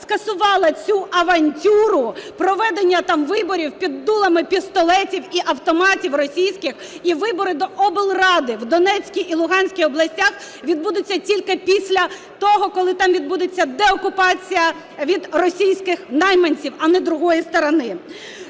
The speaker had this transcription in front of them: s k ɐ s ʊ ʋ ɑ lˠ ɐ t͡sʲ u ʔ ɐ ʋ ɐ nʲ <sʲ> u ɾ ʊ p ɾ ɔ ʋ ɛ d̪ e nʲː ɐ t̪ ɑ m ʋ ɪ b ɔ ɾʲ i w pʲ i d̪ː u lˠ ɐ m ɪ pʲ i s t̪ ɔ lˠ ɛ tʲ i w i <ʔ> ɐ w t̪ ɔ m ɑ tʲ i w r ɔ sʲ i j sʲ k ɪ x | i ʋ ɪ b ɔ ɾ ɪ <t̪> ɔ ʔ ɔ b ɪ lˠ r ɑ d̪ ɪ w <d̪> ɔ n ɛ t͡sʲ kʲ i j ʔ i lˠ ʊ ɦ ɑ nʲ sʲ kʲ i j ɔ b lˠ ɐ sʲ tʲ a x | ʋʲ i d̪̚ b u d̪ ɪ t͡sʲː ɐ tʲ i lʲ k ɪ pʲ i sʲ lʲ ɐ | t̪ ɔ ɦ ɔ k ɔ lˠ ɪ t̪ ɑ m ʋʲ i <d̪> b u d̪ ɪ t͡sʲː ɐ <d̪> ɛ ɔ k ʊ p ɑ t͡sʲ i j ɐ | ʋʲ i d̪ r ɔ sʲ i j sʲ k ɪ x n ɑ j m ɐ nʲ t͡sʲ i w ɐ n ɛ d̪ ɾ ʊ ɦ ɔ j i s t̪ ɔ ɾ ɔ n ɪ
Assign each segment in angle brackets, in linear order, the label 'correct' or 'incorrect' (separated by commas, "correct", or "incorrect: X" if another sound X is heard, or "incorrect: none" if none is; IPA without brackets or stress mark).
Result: incorrect: tʲ, correct, incorrect: d̪, correct, correct, correct